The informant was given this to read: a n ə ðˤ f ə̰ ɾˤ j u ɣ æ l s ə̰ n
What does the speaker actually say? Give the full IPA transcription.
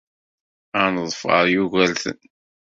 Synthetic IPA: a n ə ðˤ f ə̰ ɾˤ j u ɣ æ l θ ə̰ n